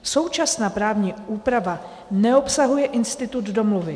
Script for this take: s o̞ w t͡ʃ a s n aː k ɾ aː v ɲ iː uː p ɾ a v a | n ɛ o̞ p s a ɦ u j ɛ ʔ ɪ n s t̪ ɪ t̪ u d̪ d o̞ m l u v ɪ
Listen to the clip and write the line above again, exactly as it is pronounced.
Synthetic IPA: s o̞ w t͡ʃ a s n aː p ɾ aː v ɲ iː uː p ɾ a v a | n ɛ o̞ p s a ɦ u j ɛ ʔ ɪ n s t̪ ɪ t̪ u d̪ d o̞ m l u v ɪ

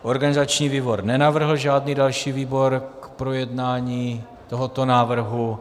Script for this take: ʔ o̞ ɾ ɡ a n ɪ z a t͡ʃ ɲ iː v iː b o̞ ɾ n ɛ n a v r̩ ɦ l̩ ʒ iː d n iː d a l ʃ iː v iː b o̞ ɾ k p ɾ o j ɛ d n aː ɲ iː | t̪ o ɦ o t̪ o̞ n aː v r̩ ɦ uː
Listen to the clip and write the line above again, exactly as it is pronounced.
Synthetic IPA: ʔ o̞ ɾ ɡ a n ɪ z a t͡ʃ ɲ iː v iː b o̞ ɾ n ɛ n a v r̩ ɦ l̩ ʒ aː d n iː d a l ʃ iː v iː b o̞ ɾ k p ɾ o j ɛ d n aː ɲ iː | t̪ o ɦ o t̪ o̞ n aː v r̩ ɦ u

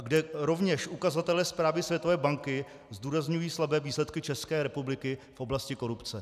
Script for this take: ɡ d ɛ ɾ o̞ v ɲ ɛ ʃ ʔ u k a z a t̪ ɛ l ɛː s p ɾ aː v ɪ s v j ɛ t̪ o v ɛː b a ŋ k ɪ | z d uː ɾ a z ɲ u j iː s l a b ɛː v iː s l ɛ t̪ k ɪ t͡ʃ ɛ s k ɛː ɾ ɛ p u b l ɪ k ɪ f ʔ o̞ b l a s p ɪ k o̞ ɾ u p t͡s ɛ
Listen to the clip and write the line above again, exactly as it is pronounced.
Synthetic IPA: ɡ d ɛ ɾ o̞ v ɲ ɛ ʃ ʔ u k a z a t̪ ɛ l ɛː s p ɾ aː v ɪ s v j ɛ t̪ o v ɛː b a ŋ k ɪ | z d uː ɾ a z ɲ u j iː s l a b ɛː v iː s l ɛ t̪ k ɪ t͡ʃ ɛ s k ɛː ɾ ɛ p u b l ɪ k ɪ f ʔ o̞ b l a s c ɪ k o̞ ɾ u p t͡s ɛ

